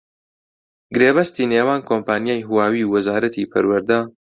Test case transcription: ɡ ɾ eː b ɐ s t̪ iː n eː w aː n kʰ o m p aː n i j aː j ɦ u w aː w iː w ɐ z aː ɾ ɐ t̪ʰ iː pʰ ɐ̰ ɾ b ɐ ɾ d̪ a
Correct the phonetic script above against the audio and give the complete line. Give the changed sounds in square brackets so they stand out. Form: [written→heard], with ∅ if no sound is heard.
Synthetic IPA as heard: ɡ ɾ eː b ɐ s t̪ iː n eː w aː n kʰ o m p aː n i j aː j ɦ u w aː w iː w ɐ z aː ɾ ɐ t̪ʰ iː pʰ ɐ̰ ɾ [b→w] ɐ ɾ d̪ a